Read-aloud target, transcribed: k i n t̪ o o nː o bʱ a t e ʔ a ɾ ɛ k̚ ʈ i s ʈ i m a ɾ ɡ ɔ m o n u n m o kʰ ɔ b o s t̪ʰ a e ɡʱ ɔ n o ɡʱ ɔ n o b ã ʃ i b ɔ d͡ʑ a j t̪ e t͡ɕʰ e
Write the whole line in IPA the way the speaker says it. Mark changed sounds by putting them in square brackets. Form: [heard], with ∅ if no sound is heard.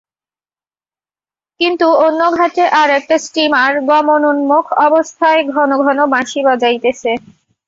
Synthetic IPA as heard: k i n t̪ [u] o nː o [ɡʱ] a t e ʔ a ɾ ɛ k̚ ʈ [a] s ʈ i m a ɾ ɡ ɔ m o n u n m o kʰ ɔ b o s t̪ʰ a e ɡʱ ɔ n o ɡʱ ɔ n o b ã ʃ i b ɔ d͡ʑ a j t̪ e t͡ɕʰ e